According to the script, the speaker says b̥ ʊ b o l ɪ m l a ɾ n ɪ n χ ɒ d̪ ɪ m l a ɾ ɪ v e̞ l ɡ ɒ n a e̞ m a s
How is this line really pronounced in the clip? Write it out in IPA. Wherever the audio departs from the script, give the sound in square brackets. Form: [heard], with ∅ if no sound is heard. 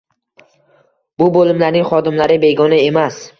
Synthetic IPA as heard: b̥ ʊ b o l ɪ m l a ɾ n ɪ [ŋ] χ ɒ d̪ ɪ m l a ɾ ɪ [b] e̞ [∅] ɡ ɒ n a e̞ m a s